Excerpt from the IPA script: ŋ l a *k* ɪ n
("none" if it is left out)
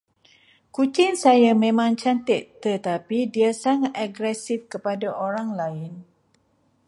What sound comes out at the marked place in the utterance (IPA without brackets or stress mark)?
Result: none